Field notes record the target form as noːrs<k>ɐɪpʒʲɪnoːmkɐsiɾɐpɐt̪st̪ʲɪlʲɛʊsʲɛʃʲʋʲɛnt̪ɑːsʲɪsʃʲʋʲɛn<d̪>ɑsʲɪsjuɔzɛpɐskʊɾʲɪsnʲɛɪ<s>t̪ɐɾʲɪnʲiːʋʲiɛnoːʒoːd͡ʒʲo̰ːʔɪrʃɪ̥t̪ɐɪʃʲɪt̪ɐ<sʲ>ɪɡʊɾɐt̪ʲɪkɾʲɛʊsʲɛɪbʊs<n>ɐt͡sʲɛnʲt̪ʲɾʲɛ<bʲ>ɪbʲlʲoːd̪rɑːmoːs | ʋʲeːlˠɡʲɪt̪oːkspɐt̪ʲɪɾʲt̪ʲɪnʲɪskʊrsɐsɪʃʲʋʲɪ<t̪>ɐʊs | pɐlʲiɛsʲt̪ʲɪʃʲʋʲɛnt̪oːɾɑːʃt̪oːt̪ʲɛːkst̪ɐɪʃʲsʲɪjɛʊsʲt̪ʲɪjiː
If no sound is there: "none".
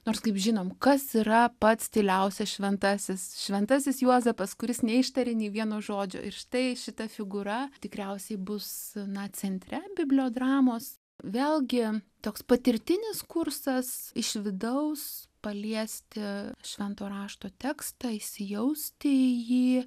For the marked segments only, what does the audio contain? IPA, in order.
k, t̪, ʃ, fʲ, n, bʲ, d̪

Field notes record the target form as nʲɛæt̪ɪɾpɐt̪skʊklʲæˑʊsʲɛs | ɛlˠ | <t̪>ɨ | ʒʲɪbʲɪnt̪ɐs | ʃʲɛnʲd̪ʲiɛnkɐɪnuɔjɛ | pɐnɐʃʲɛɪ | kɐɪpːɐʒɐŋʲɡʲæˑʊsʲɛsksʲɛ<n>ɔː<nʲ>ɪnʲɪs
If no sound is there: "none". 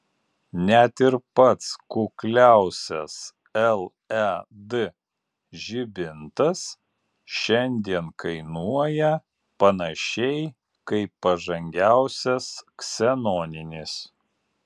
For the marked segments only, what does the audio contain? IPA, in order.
d̪, n, nʲ

